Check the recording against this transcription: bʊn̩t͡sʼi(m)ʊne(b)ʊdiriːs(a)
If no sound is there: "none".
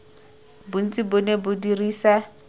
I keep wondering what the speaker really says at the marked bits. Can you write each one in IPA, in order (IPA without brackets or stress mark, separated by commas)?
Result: b, b, a